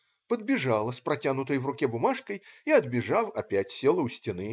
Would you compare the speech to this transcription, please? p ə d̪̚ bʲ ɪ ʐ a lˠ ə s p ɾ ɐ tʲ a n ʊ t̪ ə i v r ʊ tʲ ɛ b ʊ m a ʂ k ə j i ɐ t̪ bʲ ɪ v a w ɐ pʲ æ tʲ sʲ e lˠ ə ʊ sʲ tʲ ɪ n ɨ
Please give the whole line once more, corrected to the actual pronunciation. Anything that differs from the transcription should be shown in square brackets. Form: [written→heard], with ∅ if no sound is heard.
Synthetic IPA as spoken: p ə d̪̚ bʲ ɪ ʐ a lˠ ə s p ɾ ɐ tʲ a n ʊ t̪ ə [i→j] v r ʊ [tʲ→kʲ] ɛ b ʊ m a ʂ k ə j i ɐ [t̪→d̪] bʲ ɪ [v→ʐ] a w ɐ pʲ æ tʲ sʲ e lˠ ə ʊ sʲ tʲ ɪ n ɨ